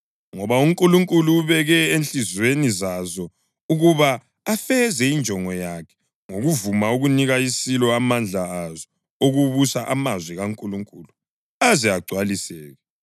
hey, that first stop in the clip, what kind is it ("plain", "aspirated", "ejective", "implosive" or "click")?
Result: ejective